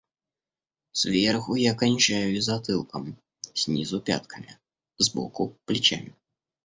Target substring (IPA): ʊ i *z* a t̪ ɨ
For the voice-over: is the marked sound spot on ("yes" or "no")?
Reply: yes